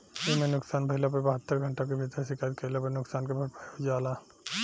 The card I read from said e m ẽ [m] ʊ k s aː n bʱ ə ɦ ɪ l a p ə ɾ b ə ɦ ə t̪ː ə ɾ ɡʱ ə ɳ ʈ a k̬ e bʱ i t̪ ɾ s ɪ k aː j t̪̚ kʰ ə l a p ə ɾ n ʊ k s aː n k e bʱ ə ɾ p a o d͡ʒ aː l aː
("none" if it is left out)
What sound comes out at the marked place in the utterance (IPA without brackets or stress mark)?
n